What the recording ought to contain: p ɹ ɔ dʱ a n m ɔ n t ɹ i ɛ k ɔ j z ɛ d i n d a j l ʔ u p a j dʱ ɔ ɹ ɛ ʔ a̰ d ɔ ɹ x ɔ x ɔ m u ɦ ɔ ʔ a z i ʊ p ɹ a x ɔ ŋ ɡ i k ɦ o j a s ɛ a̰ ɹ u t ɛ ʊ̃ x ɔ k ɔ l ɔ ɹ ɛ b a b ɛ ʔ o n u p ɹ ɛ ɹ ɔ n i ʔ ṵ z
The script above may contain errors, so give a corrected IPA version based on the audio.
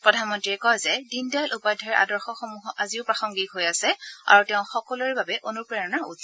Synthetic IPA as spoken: p ɹ ɔ dʱ a n m ɔ n t ɹ i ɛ k ɔ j z ɛ d i n d a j l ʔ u p a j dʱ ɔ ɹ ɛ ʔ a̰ d ɔ ɹ x ɔ x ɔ m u ɦ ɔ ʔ a z i ʊ p ɹ a x ɔ ŋ ɡ i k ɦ o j a s ɛ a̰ ɹ u t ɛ ʊ̃ x ɔ k ɔ l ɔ ɹ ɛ b a b ɛ ʔ o n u p ɹ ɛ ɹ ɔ n a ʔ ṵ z